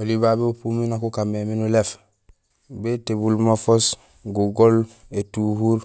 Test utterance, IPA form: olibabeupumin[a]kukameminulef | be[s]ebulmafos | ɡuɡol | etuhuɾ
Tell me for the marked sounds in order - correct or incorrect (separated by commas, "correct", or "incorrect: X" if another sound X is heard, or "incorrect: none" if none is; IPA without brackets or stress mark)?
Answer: correct, incorrect: t